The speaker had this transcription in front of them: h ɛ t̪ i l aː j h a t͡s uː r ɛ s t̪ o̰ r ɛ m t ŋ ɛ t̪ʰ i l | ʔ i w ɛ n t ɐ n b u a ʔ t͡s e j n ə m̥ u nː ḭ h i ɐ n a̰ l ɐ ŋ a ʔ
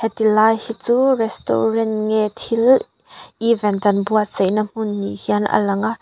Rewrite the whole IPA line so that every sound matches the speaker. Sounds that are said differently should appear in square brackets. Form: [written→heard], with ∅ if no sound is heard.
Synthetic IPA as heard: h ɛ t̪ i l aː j h [a→i] t͡s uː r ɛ s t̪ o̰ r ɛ [m→n] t ŋ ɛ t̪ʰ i l | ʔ i [w→v] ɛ n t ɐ n b u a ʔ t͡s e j n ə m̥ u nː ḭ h i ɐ n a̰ l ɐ ŋ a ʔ